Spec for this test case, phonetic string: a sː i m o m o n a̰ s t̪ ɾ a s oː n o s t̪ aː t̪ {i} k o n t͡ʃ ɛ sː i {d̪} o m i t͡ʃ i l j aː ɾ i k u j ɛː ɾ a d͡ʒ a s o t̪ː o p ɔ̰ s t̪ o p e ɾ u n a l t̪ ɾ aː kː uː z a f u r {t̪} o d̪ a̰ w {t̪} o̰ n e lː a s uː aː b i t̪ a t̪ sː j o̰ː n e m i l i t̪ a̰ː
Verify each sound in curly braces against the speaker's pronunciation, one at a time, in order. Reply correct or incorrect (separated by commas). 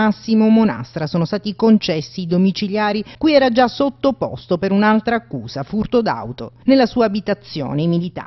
correct, correct, correct, correct